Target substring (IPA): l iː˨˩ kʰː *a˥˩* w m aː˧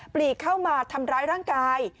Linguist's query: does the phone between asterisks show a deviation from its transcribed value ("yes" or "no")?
no